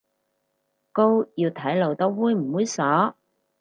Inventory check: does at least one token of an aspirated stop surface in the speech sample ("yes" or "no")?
yes